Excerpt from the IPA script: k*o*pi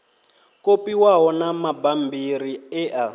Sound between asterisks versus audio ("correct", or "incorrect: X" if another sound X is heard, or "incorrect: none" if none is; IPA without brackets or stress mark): correct